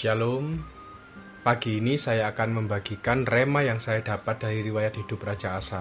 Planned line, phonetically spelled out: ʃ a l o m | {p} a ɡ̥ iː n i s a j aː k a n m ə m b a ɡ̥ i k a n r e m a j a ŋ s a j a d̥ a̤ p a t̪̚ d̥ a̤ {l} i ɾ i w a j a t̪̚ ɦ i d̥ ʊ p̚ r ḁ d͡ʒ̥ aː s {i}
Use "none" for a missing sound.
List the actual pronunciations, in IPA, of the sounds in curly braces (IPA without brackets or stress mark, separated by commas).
p, ɾ, a